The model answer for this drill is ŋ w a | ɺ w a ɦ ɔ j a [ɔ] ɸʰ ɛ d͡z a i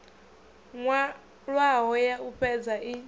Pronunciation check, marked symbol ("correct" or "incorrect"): incorrect